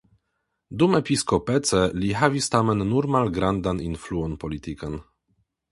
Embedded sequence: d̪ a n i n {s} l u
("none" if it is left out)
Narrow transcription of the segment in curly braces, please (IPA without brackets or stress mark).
f